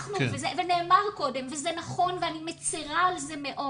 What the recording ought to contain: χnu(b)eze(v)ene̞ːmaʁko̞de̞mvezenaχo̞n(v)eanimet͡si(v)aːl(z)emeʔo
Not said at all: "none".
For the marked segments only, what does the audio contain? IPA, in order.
v, v, v, ʁ, z

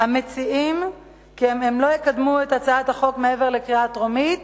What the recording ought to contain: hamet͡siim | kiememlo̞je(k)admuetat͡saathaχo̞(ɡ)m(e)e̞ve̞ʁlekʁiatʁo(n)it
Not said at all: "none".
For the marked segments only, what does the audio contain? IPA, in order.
k, k, e, m

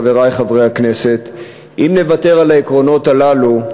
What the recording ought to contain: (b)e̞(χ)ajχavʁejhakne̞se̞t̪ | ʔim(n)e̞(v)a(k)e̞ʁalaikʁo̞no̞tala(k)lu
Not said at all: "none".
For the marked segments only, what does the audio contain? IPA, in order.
v, ʁ, n, v, t, none

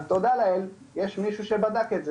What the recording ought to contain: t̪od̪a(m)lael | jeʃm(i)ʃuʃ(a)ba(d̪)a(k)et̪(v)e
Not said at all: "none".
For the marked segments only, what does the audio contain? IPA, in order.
none, i, e, d̪, k, z

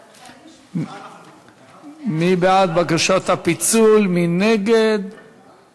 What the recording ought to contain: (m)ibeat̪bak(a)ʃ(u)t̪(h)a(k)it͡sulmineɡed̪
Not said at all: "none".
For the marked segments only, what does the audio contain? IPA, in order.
m, a, o, h, p

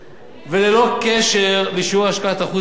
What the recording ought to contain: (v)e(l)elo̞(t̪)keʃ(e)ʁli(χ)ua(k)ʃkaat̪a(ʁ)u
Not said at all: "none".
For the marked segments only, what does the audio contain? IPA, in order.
v, l, none, e, ʃ, none, χ

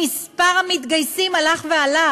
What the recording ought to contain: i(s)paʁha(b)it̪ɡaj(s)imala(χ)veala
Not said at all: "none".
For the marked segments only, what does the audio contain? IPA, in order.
s, m, s, χ

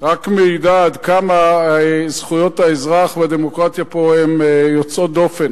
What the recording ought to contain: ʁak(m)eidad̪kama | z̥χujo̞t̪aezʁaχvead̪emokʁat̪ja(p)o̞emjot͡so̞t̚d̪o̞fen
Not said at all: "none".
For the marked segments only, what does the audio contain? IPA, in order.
m, p

